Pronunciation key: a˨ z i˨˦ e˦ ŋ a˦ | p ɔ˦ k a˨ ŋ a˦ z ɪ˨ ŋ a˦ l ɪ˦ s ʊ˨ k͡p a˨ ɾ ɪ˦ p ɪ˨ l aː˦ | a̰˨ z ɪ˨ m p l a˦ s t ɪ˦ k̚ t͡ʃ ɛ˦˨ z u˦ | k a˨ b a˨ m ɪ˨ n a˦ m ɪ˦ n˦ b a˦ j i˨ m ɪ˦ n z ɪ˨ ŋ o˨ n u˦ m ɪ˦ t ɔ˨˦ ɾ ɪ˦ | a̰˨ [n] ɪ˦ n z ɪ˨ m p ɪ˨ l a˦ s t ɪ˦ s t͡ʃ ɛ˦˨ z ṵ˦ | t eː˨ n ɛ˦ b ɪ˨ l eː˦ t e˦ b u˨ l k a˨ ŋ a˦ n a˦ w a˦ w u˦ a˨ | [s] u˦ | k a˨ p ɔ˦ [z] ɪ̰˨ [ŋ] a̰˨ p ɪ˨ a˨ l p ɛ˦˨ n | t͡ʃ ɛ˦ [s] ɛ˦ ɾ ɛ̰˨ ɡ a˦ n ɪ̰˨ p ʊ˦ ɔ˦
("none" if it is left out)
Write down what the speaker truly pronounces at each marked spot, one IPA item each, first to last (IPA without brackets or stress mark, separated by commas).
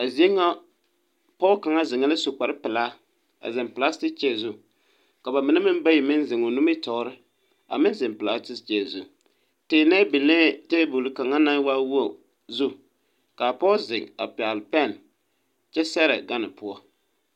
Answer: m, z, z, ŋ, s